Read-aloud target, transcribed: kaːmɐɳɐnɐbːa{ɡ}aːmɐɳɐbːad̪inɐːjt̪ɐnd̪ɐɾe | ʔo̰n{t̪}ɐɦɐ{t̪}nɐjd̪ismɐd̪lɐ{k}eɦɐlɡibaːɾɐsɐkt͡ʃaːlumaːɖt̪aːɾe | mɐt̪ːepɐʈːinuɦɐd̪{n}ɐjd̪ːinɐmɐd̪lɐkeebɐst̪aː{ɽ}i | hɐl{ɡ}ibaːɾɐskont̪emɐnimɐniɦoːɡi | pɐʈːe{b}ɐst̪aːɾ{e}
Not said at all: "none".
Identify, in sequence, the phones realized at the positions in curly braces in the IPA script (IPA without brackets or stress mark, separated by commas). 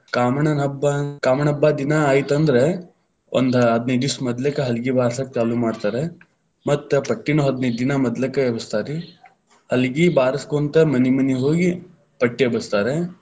k, d̪, d̪, k, n, ɾ, ɡ, b, e